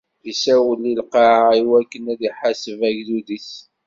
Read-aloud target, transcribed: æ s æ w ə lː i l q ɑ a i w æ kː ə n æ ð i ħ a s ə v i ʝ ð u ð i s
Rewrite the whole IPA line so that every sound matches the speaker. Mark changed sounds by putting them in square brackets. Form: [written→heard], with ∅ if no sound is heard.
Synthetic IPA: [æ→i] s æ w ə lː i l q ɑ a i w æ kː ə n æ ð i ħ a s ə v [i→æ] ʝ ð u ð i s